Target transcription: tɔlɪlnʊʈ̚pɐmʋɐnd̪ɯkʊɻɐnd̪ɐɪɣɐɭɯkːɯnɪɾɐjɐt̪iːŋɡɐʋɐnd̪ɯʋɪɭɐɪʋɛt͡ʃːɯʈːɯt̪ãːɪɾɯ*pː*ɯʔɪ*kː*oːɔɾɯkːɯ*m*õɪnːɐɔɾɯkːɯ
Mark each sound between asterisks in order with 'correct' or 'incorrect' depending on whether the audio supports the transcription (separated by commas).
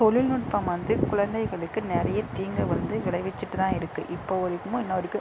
incorrect, incorrect, correct